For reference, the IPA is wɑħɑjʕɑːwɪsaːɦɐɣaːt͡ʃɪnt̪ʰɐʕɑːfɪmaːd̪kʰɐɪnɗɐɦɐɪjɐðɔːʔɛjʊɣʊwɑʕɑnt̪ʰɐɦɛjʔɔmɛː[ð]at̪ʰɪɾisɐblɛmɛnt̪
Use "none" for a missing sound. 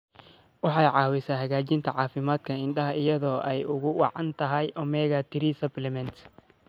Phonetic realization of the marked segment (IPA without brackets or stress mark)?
ɣ